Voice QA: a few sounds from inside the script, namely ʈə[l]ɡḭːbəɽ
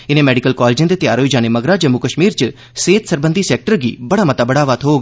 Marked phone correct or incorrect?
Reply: incorrect